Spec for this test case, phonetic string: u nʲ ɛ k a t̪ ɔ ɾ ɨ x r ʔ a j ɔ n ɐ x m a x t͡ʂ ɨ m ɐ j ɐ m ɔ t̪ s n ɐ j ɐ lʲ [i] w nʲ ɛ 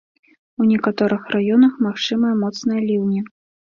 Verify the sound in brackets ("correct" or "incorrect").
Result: correct